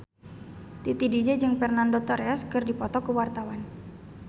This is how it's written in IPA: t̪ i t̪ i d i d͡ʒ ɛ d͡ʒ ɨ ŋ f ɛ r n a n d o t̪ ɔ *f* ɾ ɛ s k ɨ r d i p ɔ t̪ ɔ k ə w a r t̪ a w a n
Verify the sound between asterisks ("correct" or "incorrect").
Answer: incorrect